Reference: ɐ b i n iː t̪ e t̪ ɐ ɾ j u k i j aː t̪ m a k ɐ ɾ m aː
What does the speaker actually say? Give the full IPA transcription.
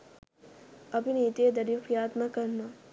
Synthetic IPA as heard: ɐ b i n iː t̪ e d̪ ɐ ɾ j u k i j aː t̪ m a k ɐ ɾ n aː

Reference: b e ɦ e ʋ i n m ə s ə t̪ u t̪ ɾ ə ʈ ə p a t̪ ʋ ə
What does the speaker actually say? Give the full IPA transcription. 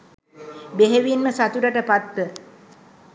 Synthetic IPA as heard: b e ɦ e ʋ i n m ə s a t̪ u ɾ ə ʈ ə p a t̪ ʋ ə

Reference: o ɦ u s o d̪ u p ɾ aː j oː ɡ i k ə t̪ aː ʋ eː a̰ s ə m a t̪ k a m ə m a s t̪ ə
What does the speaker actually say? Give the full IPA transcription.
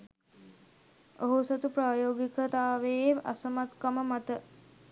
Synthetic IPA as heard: o ɦ u s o t̪ u p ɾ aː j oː ɡ i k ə t̪ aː ʋ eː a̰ s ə m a t̪ k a m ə m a t̪ ə

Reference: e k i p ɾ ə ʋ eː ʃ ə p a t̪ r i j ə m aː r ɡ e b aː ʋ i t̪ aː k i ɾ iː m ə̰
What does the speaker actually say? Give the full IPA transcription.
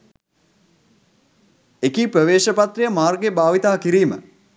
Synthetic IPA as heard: e k i p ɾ ə ʋ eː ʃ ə p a t̪ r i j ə m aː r ɡ e b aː ʋ i t̪ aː k i ɾ iː m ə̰

